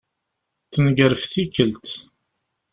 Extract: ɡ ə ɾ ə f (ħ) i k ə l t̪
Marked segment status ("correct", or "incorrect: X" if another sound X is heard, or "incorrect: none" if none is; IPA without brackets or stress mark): incorrect: θ